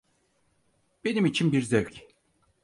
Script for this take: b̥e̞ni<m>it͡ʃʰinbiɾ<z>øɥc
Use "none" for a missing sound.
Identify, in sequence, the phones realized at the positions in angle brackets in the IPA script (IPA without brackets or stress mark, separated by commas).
m, z